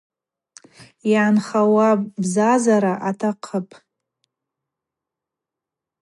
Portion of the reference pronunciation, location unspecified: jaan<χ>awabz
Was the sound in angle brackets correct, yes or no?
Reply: yes